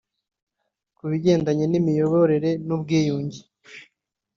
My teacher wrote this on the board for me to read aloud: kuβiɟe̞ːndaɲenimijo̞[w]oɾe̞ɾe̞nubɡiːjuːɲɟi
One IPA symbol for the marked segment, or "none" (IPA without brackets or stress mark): β